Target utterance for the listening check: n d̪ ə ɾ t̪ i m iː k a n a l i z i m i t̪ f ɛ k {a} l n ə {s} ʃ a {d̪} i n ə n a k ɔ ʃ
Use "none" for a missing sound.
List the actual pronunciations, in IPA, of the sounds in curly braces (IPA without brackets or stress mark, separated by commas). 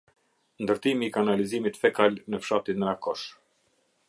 a, f, t̪